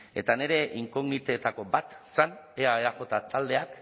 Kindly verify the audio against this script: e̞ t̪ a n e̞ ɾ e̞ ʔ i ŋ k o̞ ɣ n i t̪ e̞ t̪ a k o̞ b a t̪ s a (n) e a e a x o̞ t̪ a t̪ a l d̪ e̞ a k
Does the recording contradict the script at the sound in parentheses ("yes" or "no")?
no